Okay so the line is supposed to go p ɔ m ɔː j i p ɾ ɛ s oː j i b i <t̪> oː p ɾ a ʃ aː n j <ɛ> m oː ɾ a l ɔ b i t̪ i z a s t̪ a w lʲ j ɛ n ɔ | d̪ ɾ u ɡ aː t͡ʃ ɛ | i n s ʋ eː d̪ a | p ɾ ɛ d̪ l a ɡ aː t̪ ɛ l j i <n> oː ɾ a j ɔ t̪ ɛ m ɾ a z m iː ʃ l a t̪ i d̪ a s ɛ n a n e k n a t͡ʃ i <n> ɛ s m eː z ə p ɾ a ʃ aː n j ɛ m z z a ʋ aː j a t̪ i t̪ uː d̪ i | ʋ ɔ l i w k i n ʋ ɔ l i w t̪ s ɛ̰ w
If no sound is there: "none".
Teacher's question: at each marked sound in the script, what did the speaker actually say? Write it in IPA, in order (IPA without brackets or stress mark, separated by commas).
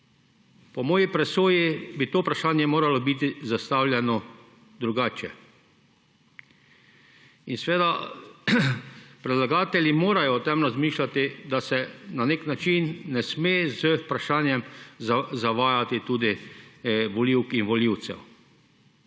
t̪, ɛ, m, nː